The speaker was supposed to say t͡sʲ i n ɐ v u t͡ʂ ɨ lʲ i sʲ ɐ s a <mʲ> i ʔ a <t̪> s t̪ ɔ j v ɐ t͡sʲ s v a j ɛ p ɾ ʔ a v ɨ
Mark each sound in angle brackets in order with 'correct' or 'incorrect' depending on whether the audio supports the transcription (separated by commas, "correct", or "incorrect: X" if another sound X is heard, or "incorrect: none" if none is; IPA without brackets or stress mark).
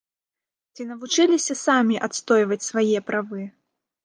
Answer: correct, correct